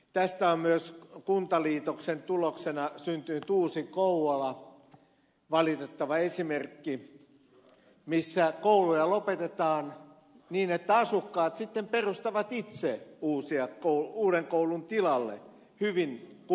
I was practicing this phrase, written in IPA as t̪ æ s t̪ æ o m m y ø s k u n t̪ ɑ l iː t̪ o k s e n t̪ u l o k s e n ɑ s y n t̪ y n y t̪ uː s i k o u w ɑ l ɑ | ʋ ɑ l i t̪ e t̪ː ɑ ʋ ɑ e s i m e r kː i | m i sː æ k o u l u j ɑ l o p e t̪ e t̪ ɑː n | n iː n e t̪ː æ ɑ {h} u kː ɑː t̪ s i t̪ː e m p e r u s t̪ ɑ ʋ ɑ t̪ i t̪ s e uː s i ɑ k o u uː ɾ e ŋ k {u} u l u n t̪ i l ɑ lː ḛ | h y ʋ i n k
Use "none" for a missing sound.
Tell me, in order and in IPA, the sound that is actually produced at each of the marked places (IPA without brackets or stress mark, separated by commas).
s, o